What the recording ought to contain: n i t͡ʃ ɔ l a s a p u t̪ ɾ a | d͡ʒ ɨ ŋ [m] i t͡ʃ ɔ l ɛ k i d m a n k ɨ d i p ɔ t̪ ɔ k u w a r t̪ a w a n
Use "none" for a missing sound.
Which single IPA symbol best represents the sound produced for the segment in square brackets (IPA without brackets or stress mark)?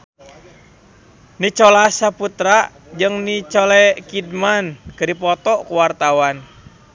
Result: n